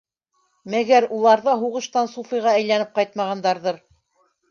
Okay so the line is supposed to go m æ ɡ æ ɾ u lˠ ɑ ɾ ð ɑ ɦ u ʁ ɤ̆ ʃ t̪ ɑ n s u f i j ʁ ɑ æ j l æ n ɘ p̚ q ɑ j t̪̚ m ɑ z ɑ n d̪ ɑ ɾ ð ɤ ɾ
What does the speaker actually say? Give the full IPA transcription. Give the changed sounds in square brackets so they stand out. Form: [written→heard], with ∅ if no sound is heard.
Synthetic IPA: m æ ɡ æ ɾ u lˠ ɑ ɾ ð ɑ ɦ u ʁ ɤ̆ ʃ t̪ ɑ n s u f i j ʁ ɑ æ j l æ n ɘ p̚ q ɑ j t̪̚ m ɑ [z→ʁ] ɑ n d̪ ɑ ɾ ð ɤ ɾ